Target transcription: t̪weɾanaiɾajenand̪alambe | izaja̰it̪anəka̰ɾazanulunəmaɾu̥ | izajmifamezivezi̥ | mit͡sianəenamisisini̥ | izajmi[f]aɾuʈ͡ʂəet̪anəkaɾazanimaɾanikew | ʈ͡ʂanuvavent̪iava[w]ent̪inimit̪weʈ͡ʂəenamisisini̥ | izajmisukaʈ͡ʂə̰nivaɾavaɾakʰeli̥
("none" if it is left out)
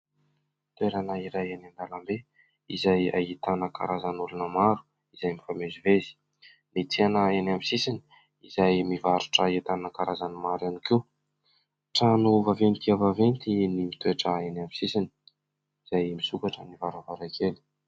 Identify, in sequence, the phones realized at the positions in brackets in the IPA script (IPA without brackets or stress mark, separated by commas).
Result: v, v